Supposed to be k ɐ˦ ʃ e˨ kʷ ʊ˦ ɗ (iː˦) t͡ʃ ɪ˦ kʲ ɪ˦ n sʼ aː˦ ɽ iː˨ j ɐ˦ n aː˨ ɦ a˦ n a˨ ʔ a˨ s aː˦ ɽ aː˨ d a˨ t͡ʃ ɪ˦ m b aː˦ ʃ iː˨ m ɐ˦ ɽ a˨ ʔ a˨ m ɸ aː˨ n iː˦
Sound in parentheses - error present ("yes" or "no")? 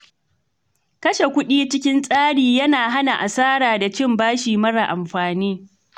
no